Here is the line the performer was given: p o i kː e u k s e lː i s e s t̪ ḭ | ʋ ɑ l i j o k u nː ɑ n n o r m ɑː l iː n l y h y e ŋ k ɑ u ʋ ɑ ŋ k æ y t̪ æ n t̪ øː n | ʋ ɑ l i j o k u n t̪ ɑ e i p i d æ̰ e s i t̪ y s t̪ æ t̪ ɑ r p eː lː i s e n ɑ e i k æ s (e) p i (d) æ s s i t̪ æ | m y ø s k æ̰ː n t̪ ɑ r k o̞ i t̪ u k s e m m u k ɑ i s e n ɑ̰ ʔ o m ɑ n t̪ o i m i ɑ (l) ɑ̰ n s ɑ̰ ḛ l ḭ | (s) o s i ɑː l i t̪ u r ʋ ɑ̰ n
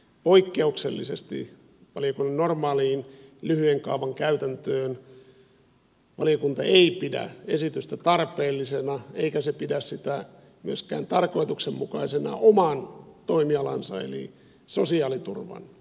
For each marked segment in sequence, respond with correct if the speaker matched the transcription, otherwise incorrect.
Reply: correct, correct, correct, correct

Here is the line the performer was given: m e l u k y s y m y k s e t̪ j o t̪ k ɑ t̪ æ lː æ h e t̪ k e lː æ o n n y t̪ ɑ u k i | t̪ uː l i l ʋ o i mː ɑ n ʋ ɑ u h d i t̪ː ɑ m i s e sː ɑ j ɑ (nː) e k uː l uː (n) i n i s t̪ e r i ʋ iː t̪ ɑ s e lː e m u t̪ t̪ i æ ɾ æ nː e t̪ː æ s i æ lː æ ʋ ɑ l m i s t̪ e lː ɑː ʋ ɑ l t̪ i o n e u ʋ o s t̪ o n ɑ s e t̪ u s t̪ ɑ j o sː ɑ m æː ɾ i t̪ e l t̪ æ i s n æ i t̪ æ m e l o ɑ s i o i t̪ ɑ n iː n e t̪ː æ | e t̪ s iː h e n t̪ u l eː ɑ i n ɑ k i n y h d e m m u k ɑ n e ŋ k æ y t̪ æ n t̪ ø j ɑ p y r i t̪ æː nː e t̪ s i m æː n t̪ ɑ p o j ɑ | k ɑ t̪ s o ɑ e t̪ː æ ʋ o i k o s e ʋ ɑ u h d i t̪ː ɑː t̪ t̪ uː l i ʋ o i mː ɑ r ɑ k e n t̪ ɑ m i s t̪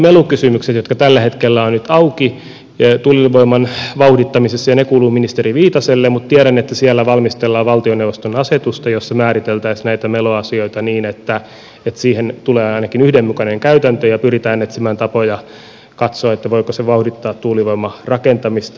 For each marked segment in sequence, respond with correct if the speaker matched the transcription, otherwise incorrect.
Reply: incorrect: n, incorrect: m

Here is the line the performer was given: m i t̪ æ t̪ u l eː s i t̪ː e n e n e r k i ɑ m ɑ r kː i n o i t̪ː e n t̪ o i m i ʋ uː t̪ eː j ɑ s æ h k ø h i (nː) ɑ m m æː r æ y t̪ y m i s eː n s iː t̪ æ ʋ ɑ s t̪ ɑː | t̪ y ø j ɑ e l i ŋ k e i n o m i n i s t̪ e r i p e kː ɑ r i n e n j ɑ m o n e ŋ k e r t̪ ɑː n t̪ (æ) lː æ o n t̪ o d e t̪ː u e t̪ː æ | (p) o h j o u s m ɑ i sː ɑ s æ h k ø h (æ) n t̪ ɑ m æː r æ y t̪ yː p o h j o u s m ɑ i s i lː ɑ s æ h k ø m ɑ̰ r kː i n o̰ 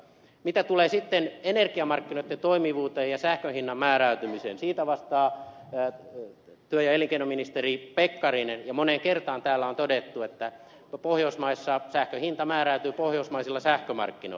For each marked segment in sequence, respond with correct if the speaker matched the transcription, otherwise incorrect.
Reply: correct, incorrect: æː, correct, incorrect: i

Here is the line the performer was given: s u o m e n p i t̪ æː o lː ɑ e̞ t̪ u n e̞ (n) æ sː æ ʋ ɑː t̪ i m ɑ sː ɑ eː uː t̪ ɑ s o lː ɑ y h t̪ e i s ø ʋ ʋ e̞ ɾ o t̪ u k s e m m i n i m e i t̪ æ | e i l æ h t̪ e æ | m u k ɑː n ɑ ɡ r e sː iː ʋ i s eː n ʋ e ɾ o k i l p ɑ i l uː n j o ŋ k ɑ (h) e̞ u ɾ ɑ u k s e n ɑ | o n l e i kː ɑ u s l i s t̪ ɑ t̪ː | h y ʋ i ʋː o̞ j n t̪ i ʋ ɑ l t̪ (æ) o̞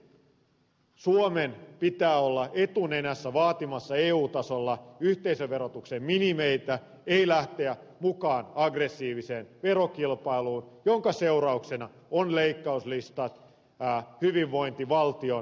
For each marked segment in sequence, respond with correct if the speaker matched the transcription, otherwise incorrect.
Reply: correct, incorrect: s, incorrect: i

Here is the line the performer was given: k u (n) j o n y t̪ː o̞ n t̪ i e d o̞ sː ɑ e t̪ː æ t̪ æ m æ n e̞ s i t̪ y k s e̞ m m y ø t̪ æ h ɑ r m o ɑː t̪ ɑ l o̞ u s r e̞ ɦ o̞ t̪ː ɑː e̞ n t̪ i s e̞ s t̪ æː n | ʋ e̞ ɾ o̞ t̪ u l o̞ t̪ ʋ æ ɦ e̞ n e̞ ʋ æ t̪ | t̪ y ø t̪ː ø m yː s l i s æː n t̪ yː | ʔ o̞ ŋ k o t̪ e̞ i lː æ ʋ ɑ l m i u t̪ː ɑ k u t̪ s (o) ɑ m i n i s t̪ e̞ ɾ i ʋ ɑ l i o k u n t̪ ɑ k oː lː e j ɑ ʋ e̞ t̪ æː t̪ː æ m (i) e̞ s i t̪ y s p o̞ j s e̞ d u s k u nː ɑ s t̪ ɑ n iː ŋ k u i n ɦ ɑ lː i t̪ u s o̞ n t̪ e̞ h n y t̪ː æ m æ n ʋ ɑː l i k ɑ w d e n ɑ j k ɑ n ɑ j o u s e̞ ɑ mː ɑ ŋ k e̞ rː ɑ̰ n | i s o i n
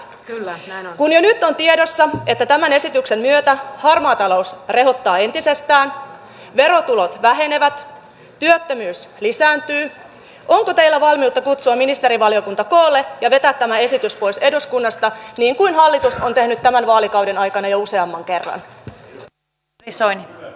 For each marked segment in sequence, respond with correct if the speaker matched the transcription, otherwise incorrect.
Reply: correct, incorrect: u, incorrect: æ

